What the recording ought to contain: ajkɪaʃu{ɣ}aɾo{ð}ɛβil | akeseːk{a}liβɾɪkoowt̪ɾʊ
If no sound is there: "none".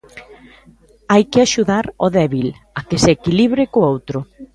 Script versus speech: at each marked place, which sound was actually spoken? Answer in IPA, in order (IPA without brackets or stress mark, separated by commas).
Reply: ð, ð, i